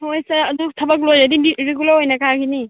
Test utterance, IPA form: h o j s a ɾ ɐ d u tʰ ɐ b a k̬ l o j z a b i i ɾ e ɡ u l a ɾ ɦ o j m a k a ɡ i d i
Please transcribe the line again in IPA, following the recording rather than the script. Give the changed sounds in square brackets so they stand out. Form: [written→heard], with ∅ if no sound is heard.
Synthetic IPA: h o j s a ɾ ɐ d u tʰ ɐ b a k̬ l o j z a [b→d] i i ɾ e ɡ u l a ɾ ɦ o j [m→n] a k a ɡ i [d→n] i